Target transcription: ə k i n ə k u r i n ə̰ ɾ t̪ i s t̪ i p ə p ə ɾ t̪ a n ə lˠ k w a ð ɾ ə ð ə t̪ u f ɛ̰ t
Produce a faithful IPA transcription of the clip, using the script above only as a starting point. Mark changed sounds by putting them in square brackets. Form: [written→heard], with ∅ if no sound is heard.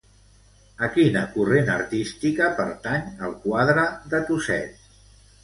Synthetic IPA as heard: ə k i n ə k u r [i→e] n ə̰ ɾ t̪ i s t̪ i [p→k] ə p ə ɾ t̪ a [n→ɲ] ə lˠ k w a ð ɾ ə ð ə t̪ u [f→s] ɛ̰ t